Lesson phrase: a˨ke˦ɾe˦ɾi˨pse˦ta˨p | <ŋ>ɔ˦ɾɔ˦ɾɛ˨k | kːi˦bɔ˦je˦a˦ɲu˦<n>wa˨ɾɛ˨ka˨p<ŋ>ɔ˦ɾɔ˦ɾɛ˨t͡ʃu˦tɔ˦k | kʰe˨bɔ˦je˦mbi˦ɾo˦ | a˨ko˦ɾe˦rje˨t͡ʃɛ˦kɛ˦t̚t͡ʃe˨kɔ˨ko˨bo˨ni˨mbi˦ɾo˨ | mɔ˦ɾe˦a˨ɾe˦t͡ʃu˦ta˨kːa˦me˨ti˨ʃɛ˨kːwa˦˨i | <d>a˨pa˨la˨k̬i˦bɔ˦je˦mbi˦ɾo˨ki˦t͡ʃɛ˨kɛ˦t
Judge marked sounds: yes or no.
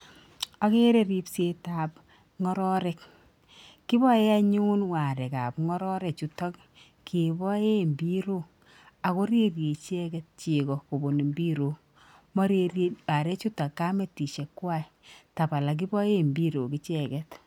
yes, yes, yes, no

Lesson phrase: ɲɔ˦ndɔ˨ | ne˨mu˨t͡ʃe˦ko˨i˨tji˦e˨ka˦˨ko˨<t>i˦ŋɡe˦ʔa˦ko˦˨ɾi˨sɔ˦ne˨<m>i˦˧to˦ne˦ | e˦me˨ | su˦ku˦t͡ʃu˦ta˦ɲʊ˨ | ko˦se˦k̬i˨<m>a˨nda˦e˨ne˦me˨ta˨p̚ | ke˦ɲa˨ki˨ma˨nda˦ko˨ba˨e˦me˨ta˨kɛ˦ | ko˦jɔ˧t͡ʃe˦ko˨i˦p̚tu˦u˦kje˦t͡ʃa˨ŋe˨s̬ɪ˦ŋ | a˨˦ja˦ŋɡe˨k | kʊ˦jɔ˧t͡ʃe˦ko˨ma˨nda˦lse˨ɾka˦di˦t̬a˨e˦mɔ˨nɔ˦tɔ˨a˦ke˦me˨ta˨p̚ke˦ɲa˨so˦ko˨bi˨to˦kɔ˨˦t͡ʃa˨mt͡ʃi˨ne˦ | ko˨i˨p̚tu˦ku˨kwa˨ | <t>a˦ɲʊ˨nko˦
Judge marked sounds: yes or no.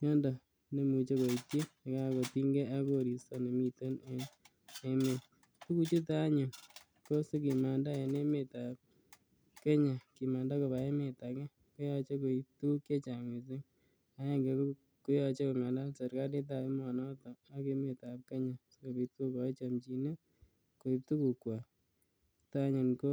yes, yes, yes, yes

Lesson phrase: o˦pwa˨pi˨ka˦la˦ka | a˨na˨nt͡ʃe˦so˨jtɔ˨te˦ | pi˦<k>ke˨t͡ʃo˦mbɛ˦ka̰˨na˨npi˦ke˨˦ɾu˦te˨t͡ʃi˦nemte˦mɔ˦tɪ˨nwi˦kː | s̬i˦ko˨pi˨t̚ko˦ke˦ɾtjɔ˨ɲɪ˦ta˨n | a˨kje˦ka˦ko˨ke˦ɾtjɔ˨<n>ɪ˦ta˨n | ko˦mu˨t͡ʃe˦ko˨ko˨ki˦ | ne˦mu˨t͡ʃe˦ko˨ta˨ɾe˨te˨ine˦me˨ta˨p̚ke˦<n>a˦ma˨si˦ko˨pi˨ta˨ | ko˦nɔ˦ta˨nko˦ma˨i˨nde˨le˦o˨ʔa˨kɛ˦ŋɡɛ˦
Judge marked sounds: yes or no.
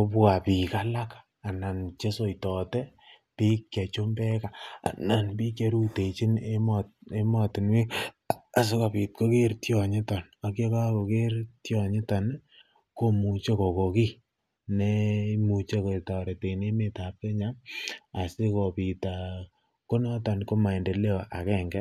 yes, no, no

